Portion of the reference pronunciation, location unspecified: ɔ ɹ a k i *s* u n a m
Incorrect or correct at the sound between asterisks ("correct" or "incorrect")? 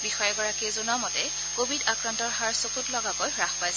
incorrect